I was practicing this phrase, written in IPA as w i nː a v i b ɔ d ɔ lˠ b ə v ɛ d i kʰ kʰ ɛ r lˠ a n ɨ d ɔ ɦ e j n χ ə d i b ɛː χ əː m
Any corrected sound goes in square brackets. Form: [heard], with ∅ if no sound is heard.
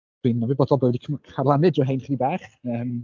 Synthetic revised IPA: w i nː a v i b ɔ d ɔ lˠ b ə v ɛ d i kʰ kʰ [a] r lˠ a n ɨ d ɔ ɦ e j n χ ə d i b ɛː χ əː m